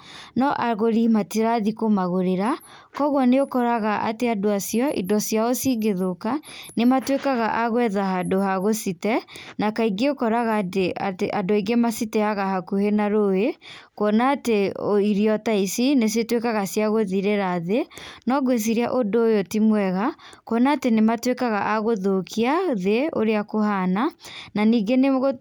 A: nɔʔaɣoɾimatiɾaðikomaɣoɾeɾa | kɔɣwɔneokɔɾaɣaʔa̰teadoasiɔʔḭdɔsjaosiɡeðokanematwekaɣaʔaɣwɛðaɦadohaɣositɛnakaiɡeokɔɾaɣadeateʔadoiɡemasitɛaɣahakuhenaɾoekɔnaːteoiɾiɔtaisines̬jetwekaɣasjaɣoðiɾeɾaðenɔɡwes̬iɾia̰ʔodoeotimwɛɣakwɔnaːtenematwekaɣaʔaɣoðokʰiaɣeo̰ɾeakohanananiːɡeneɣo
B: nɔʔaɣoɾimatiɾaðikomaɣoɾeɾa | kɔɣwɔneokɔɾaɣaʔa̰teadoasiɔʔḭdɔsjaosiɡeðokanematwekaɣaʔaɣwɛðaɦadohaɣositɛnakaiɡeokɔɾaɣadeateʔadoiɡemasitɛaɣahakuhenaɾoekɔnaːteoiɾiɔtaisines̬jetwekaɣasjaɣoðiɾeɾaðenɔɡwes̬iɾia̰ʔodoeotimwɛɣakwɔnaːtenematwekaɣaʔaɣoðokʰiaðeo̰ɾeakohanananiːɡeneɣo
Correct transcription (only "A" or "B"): B